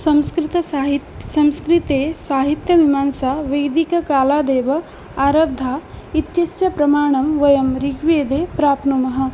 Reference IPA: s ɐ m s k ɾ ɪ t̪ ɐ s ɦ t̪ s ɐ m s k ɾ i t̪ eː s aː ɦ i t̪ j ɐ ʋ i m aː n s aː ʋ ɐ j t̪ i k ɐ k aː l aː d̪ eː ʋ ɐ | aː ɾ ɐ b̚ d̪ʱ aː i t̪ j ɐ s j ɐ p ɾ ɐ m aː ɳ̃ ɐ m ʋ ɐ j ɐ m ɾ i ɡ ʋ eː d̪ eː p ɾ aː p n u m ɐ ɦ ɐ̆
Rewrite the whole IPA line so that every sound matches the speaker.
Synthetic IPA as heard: s ɐ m s k ɾ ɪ t̪ ɐ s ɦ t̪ s ɐ m s k ɾ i t̪ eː s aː ɦ i t̪ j ɐ ʋ i m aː n s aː ʋ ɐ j d̪ i k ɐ k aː l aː d̪ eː ʋ ɐ | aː ɾ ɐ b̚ d̪ʱ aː i t̪ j ɐ s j ɐ p ɾ ɐ m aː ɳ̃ ɐ m ʋ ɐ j ɐ m ɾ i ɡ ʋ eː d̪ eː p ɾ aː p n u m ɐ ɦ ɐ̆